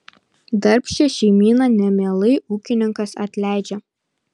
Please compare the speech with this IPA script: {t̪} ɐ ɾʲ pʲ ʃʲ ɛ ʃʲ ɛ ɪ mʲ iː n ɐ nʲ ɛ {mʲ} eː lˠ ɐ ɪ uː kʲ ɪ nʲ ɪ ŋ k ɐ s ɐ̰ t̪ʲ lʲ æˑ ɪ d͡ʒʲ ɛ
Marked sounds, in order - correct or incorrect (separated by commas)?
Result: incorrect, correct